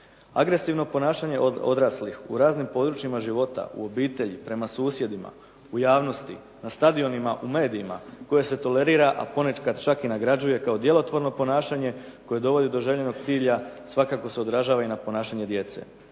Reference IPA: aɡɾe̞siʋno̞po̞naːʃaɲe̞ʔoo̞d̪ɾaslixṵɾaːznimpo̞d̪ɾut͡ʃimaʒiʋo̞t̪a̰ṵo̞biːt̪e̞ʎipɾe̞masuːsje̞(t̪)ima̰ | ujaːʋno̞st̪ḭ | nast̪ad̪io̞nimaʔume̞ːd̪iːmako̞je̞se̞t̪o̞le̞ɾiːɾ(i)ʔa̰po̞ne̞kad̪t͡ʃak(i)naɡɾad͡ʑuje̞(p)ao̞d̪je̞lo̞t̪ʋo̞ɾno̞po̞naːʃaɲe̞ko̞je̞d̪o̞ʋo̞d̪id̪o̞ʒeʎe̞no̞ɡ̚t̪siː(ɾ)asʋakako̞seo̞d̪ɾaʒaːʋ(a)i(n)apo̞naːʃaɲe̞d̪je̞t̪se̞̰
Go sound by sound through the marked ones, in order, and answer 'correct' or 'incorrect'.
incorrect, incorrect, correct, incorrect, incorrect, correct, correct

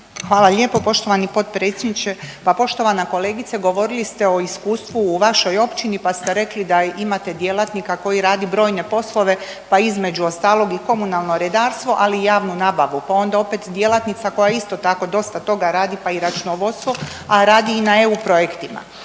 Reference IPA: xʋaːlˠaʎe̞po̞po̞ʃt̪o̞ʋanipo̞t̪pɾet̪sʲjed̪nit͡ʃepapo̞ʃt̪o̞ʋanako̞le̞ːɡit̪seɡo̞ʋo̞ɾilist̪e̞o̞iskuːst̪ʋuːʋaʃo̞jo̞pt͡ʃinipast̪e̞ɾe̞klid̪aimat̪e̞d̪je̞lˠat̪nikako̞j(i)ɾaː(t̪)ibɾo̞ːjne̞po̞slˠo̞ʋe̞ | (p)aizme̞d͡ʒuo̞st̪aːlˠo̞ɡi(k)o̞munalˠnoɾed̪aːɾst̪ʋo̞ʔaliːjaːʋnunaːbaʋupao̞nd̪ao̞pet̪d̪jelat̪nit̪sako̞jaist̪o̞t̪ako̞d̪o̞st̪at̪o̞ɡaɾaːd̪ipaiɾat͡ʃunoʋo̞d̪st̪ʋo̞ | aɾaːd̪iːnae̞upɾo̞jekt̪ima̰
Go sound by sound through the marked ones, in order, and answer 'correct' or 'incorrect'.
correct, incorrect, correct, correct

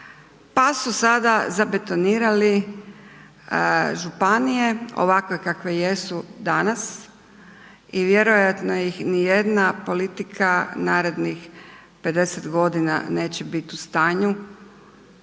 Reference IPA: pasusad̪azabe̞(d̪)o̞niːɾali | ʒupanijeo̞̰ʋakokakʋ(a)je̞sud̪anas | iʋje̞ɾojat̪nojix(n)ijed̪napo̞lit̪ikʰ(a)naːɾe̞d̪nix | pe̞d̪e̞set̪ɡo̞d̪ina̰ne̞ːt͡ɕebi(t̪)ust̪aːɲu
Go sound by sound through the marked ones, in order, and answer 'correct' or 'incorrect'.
incorrect, incorrect, correct, correct, correct

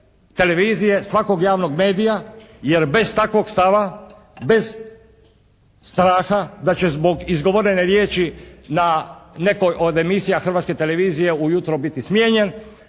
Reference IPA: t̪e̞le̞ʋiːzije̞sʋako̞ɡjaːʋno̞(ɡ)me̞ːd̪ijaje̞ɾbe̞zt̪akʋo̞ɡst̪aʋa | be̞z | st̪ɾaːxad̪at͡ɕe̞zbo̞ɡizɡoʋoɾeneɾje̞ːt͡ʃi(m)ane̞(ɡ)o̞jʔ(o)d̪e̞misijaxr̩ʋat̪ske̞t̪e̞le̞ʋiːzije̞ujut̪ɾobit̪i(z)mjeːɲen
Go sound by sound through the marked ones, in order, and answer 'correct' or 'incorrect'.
correct, incorrect, incorrect, correct, incorrect

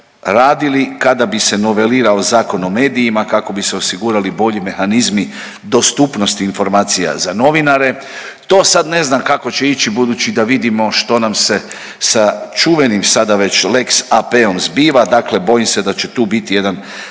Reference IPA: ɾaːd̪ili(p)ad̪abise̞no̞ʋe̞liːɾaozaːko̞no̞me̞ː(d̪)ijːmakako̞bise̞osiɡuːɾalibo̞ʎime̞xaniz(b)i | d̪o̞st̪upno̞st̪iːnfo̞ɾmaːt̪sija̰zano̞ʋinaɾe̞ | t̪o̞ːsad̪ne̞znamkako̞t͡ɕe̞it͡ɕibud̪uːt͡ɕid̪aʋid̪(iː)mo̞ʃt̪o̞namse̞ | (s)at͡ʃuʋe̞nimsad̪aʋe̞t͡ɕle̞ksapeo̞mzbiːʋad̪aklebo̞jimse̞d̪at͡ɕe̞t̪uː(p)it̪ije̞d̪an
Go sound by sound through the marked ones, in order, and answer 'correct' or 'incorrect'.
incorrect, correct, incorrect, incorrect, correct, incorrect

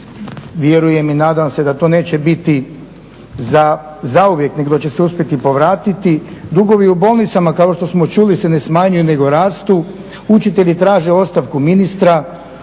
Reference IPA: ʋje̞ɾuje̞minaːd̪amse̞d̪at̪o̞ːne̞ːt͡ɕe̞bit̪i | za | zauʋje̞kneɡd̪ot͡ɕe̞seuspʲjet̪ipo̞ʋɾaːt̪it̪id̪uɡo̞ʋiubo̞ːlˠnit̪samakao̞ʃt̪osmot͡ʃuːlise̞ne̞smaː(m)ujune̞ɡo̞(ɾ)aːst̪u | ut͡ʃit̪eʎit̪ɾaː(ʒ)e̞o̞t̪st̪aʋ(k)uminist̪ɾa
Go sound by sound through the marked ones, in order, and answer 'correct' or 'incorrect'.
incorrect, correct, correct, correct

